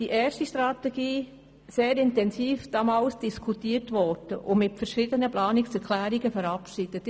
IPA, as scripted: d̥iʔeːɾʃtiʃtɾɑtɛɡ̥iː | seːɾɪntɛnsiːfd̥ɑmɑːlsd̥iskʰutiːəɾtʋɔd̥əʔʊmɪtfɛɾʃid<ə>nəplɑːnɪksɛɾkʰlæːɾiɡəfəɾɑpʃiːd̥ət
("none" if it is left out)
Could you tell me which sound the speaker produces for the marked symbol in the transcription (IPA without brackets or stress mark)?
ə